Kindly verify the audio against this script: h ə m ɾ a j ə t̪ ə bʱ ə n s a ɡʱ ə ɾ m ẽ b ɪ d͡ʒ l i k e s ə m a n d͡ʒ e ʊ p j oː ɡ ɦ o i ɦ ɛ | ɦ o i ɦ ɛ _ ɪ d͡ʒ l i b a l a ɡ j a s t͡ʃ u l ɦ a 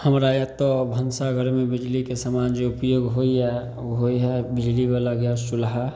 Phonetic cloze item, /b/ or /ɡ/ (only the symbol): b